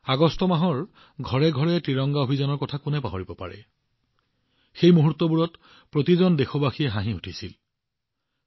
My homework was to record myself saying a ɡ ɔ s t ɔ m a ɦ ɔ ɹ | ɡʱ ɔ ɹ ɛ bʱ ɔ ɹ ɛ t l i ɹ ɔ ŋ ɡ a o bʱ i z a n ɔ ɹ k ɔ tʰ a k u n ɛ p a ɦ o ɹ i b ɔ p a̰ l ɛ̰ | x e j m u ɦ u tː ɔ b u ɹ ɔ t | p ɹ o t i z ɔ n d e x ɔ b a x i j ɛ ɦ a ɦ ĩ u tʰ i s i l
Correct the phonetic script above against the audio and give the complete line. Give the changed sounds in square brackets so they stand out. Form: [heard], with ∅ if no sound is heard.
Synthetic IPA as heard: a ɡ ɔ s t ɔ m a ɦ ɔ ɹ | ɡʱ ɔ ɹ ɛ [ɡʱ] ɔ ɹ ɛ t [ɹ] i ɹ ɔ ŋ ɡ a o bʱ i z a n ɔ ɹ k ɔ tʰ a k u n ɛ p a ɦ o ɹ i b ɔ p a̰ [ɹ] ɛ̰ | x e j m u ɦ u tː ɔ b u ɹ ɔ t | p ɹ o t i z ɔ n d e x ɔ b a x i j ɛ ɦ a ɦ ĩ u tʰ i s i l